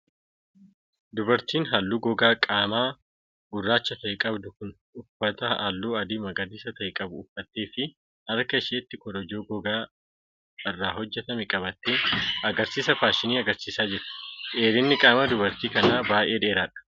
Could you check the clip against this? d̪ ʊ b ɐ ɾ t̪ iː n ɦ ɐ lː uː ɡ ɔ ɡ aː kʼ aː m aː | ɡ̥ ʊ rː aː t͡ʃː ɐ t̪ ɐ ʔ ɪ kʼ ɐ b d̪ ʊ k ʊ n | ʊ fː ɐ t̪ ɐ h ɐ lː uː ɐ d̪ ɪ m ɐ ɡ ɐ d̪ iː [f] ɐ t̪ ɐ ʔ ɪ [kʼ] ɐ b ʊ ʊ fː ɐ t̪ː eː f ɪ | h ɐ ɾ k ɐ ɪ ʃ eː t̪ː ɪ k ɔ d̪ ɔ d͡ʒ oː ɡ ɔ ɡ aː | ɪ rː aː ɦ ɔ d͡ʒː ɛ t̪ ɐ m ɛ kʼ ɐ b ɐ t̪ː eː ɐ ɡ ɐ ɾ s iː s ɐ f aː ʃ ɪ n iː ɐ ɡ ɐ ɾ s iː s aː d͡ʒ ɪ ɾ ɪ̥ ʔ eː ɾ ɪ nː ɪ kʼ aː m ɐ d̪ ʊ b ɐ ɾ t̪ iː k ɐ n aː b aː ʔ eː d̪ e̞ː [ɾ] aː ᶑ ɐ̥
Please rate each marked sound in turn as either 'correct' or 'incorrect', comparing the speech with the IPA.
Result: incorrect, correct, correct

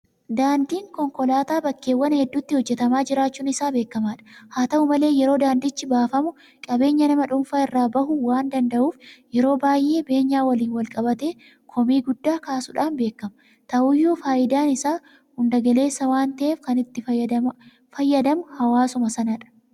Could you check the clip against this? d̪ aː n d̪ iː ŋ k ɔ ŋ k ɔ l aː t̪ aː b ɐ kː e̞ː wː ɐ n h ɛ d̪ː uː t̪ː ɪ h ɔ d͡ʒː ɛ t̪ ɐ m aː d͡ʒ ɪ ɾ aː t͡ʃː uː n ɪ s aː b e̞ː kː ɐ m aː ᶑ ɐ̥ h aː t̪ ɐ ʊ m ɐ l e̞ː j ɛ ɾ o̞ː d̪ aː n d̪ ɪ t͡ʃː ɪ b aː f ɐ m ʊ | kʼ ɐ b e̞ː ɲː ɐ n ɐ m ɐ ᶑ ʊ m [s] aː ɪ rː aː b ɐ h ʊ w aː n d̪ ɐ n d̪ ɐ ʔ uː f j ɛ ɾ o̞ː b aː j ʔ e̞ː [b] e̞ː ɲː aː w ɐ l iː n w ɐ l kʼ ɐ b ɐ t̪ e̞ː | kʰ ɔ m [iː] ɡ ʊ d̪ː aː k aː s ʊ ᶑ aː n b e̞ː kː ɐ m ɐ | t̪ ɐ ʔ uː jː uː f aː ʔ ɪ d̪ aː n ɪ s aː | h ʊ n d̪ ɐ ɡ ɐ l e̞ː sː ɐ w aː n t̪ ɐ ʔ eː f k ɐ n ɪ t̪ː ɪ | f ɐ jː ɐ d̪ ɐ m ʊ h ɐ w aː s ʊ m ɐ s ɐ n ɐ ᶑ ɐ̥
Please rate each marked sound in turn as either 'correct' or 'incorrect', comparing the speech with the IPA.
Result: incorrect, correct, correct

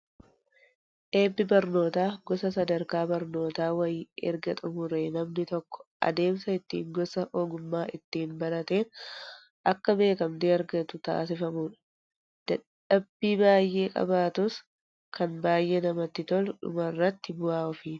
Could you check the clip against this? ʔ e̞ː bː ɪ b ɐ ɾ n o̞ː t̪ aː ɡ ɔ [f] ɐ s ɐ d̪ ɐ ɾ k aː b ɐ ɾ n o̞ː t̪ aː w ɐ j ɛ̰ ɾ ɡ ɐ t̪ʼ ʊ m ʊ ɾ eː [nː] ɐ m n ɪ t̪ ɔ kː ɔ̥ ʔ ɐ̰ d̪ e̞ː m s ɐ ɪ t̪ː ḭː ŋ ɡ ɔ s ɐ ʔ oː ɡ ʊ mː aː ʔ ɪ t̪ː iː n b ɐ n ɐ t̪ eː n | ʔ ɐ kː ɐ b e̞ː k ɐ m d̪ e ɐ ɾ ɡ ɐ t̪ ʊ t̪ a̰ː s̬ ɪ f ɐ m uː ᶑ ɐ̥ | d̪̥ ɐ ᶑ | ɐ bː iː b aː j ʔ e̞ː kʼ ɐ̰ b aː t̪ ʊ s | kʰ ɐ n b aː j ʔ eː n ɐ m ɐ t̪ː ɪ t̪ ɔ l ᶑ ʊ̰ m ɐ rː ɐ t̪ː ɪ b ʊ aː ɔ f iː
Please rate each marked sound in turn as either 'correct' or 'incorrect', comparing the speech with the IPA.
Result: incorrect, incorrect

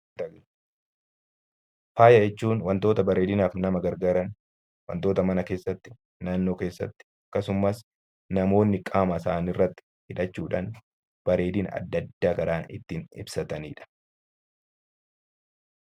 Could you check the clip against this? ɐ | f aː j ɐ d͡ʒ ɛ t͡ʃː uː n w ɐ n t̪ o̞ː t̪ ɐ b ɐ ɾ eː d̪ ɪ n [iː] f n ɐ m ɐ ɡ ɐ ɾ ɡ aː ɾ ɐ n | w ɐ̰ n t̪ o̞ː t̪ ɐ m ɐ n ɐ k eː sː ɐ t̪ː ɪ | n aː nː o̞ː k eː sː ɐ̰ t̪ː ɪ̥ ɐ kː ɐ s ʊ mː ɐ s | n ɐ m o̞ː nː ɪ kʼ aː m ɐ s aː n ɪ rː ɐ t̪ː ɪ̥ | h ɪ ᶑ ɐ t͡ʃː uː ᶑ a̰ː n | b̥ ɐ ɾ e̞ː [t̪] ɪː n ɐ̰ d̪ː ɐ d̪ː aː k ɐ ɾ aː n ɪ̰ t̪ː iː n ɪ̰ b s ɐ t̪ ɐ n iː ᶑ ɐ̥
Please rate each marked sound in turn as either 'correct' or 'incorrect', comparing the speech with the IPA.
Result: incorrect, incorrect

